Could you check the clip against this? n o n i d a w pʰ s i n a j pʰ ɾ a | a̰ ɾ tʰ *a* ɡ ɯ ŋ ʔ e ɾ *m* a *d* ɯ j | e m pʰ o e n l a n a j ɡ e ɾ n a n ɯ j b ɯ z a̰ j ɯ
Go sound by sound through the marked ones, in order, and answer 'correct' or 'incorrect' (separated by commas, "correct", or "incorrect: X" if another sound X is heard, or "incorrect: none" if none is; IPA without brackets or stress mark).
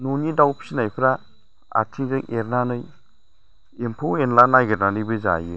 incorrect: i, incorrect: n, incorrect: n